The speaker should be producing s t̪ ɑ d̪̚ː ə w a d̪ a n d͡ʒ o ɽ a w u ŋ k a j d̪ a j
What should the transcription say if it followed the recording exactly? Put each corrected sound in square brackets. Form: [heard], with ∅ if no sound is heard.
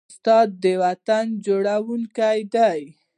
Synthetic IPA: s t̪ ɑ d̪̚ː ə w a [t̪] a n d͡ʒ o ɽ a w u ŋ k a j d̪ a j